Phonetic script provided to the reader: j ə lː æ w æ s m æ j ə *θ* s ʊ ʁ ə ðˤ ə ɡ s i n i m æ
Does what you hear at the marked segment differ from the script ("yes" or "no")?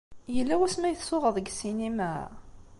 no